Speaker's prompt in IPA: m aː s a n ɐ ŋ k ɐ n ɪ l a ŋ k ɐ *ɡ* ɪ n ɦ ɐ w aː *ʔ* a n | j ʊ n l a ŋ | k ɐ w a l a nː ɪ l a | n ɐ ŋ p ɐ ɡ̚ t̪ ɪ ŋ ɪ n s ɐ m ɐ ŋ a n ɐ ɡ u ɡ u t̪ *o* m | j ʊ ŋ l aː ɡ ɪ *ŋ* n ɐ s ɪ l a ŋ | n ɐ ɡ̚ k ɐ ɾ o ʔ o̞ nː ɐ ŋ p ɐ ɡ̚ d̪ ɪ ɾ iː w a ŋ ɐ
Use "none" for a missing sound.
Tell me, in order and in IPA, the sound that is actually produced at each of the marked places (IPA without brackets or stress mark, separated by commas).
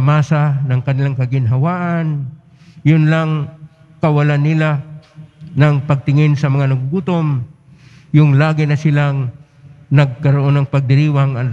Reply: ɡ, ʔ, o, none